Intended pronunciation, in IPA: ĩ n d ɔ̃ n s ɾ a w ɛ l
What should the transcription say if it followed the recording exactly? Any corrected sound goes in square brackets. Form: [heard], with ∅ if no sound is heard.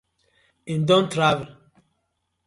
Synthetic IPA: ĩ n d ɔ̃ n [t] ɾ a [v] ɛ l